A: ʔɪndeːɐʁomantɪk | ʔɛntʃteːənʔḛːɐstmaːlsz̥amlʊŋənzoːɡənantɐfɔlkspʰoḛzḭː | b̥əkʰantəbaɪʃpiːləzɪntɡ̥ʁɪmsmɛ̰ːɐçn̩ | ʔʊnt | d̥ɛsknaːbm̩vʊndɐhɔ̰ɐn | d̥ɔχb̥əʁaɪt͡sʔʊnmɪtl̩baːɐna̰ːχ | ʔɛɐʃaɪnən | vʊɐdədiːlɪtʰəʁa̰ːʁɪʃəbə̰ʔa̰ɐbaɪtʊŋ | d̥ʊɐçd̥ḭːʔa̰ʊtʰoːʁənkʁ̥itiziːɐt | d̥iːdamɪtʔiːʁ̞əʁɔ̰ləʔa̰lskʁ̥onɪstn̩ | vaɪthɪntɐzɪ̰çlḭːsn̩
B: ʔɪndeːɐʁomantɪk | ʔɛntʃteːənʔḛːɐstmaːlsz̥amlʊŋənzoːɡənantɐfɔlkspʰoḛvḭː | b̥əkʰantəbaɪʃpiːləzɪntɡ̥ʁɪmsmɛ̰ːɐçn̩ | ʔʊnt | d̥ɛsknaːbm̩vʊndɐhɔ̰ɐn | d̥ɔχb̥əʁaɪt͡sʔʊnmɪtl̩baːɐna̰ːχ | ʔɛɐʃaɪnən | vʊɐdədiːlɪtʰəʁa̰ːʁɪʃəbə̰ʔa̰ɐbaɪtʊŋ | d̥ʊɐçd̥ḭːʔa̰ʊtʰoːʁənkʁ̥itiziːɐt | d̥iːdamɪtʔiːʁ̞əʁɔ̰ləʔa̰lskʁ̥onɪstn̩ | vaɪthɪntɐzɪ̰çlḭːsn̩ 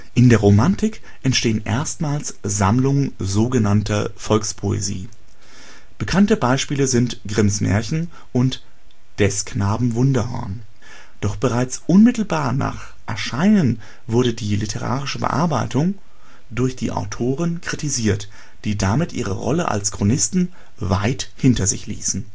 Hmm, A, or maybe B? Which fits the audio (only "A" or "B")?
A